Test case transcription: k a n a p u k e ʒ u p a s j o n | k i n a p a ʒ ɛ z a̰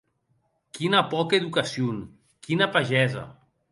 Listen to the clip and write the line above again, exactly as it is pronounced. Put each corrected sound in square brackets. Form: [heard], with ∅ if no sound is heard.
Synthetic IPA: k [i] n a p [ɔ] k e [ð] u [k] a s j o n | k i n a p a ʒ ɛ z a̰